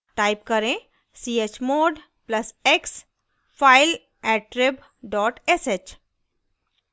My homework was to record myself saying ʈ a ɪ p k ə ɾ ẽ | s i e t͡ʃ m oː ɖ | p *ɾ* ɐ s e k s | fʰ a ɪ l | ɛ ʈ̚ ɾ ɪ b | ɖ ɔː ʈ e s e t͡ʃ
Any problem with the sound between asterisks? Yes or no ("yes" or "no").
yes